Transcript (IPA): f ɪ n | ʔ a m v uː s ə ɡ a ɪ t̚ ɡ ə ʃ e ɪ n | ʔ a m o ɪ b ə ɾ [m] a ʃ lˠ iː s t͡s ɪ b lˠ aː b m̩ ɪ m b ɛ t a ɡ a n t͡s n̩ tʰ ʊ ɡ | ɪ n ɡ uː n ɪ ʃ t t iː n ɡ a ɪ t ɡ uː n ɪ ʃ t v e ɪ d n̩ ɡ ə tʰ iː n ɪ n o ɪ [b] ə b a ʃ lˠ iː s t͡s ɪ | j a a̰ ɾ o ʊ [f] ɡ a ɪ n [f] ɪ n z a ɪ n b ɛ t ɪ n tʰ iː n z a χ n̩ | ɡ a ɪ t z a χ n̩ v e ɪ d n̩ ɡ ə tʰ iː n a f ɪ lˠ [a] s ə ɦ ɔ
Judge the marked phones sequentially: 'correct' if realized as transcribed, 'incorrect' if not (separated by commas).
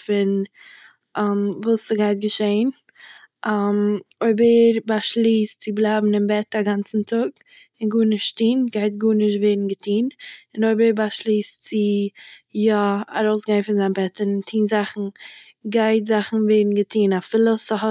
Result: incorrect, correct, incorrect, correct, incorrect